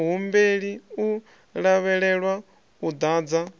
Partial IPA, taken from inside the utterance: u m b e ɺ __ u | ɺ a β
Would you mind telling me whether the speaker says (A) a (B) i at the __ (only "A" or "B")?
B